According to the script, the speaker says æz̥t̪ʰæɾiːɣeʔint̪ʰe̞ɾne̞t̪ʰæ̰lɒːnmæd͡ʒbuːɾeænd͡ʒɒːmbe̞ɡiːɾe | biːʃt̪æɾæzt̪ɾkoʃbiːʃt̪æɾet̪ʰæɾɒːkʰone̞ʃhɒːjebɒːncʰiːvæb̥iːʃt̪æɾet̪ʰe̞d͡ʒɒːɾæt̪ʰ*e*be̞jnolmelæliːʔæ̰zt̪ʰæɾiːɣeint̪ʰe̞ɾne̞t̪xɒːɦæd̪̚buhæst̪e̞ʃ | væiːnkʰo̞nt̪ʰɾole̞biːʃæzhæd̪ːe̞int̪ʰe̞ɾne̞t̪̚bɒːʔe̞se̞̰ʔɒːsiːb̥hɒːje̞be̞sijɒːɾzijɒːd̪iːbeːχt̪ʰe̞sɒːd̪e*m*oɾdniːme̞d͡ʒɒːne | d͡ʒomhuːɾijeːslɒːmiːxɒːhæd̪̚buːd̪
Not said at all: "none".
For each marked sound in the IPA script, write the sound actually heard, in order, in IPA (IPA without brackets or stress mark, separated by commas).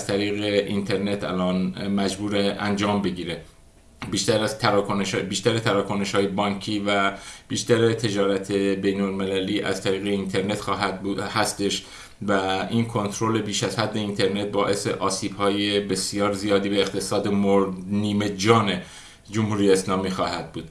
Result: e, m